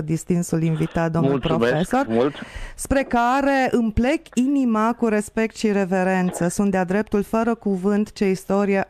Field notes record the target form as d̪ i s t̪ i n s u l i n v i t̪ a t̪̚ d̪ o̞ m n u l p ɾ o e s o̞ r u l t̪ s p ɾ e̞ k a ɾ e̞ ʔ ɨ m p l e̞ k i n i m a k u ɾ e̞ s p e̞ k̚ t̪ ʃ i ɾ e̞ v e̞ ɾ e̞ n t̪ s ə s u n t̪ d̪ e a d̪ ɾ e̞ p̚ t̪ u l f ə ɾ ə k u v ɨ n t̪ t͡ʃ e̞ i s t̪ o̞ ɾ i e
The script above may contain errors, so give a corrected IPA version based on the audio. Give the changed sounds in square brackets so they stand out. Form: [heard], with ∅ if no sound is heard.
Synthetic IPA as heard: d̪ i s t̪ i n s u l i n v i t̪ a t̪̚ d̪ o̞ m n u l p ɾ o e s o̞ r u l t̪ s p ɾ e̞ k a ɾ e̞ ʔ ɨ m p l e̞ k i n i m a k u ɾ e̞ s p e̞ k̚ t̪ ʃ i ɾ e̞ v e̞ ɾ e̞ n t̪ s ə s u n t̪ d̪ e a d̪ ɾ e̞ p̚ t̪ u l f ə ɾ ə k u v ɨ n t̪ t͡ʃ e̞ i s t̪ o̞ ɾ i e